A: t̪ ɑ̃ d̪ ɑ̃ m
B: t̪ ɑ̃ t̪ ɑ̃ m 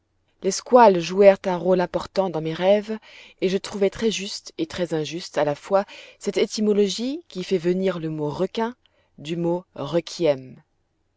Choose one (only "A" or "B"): A